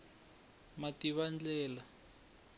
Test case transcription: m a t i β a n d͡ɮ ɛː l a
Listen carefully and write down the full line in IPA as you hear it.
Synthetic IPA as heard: m a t i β a n d͡ɮ ɛː l a